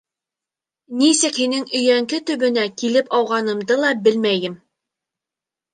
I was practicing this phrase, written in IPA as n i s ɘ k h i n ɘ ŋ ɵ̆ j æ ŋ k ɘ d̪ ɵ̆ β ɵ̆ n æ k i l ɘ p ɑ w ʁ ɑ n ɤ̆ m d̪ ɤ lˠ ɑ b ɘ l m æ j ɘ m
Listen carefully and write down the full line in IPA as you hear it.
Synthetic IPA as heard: n i s ɘ k h i n ɘ ŋ ɵ̆ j æ ŋ k ɘ t̪ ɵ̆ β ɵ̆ n æ k i l ɘ p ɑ w ʁ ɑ n ɤ̆ m d̪ ɤ lˠ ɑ b ɘ l m æ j ɘ m